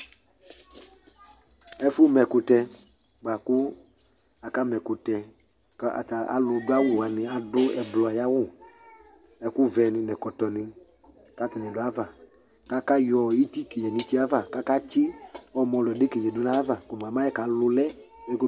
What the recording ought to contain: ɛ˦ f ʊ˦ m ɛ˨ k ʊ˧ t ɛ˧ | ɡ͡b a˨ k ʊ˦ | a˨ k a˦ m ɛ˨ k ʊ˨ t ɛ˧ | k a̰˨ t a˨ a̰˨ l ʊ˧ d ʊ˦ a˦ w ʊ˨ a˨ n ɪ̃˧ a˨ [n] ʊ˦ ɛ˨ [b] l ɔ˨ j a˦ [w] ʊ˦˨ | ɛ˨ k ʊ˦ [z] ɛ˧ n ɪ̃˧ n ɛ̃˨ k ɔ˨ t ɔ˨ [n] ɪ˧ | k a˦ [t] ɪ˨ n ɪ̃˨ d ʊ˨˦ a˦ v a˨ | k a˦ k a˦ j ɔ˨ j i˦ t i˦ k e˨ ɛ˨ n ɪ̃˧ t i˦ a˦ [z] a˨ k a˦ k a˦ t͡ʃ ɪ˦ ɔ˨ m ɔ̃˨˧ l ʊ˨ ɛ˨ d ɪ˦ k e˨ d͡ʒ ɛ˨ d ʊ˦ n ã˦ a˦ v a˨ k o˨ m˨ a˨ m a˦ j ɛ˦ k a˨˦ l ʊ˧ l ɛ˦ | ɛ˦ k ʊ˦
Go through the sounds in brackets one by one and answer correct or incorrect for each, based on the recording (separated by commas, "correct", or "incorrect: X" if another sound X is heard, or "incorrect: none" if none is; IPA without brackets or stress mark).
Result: incorrect: d, correct, correct, incorrect: v, correct, correct, incorrect: v